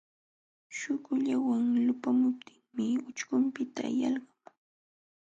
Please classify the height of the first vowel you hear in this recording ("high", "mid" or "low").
high